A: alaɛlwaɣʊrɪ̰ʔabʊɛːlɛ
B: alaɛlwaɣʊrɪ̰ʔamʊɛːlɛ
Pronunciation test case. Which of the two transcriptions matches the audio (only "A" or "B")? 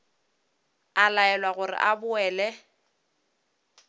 A